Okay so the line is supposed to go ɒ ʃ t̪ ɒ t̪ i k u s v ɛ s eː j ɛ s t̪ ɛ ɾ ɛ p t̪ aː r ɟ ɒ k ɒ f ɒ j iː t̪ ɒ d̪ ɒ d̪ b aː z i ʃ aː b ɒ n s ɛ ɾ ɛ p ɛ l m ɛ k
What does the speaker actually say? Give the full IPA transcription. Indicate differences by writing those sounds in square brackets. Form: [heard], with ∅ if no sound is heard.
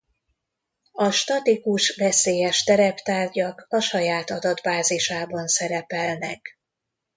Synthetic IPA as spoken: ɒ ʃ t̪ ɒ t̪ i k u [ʃ] v ɛ s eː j ɛ [ʃ] t̪ ɛ ɾ ɛ p t̪ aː r ɟ ɒ k ɒ [ʃ] ɒ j [aː] t̪ ɒ d̪ ɒ d̪ b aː z i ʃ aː b ɒ n s ɛ ɾ ɛ p ɛ l [n] ɛ k